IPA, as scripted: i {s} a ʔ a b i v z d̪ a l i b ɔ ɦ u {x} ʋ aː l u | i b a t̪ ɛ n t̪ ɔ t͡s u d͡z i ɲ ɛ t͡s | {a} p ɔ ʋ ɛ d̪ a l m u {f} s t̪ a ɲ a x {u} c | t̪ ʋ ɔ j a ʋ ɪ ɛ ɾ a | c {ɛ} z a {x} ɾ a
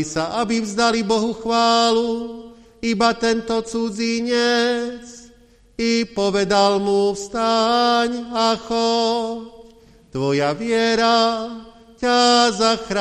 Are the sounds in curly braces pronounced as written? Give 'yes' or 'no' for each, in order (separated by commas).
yes, yes, no, yes, no, no, yes